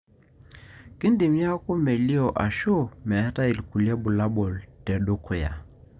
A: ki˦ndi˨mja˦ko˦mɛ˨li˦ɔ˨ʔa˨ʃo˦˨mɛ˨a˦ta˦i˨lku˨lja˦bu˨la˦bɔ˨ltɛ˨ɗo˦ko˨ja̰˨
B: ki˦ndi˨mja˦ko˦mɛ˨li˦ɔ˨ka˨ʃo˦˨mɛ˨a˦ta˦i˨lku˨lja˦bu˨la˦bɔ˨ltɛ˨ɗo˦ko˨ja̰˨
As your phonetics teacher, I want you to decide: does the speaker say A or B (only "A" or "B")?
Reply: A